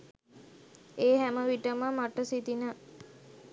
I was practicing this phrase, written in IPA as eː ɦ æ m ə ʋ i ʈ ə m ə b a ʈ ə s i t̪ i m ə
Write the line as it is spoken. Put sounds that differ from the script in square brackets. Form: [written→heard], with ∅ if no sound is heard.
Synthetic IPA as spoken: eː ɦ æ m ə ʋ i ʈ ə m ə [b→m] a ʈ ə s i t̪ i [m→n] ə